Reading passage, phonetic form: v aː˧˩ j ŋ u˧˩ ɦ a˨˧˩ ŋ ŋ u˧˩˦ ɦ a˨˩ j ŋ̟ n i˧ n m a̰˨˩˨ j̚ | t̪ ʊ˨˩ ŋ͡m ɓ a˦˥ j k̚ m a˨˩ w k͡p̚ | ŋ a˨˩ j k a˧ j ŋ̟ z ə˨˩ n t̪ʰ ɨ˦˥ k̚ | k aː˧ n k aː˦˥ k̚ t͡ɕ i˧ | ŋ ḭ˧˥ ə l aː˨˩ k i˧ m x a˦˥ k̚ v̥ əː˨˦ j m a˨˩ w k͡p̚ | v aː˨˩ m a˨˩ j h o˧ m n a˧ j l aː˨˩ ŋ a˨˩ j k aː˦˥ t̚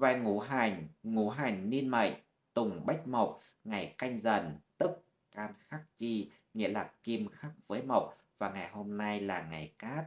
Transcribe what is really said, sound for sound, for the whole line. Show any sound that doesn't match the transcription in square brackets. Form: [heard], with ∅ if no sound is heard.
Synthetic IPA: v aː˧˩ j ŋ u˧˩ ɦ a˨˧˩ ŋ ŋ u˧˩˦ ɦ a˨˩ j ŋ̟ n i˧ n m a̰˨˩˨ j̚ | t̪ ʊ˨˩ ŋ͡m ɓ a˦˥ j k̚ m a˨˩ w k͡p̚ | ŋ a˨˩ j k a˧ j ŋ̟ z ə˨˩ n [t̪] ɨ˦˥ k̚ | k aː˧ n [x] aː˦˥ k̚ t͡ɕ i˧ | ŋ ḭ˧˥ ə l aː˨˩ k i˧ m x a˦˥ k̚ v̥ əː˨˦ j m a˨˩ w k͡p̚ | v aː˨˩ [ŋ] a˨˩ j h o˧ m n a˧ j l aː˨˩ ŋ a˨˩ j k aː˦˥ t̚